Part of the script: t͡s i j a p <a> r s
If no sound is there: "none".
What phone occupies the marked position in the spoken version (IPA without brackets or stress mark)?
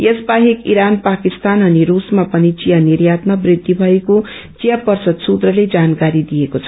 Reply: ʌ